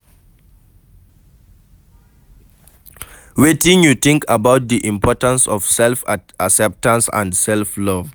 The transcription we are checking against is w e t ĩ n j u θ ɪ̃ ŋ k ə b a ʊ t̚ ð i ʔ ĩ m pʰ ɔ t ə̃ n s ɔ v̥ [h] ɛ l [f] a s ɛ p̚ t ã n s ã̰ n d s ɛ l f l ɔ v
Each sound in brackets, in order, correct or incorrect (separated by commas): incorrect, correct